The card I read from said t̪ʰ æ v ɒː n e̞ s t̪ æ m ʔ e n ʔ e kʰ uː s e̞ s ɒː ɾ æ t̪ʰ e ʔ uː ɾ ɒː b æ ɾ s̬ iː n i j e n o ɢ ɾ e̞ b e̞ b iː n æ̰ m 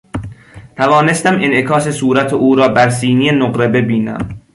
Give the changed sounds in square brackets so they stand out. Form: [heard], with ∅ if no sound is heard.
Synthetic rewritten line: t̪ʰ æ v ɒː n e̞ s t̪ æ m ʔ e n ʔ e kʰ [ɒː] s e̞ s [uː] ɾ æ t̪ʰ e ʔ uː ɾ ɒː b æ ɾ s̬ iː n i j e n o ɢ ɾ e̞ b e̞ b iː n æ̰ m